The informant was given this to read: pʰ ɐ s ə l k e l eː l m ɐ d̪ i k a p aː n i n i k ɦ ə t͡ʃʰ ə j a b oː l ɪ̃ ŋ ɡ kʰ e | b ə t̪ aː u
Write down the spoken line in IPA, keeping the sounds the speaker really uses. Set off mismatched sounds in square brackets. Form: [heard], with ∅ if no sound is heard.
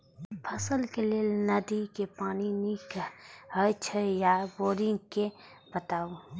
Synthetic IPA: pʰ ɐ s ə l k e l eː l [n] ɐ d̪ i k [e] p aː n i n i k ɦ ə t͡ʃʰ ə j a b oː [ɾ] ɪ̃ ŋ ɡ [k] e | b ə t̪ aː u